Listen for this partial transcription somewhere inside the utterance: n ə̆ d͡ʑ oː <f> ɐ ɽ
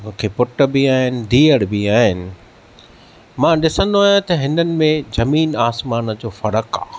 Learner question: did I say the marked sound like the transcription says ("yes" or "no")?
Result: yes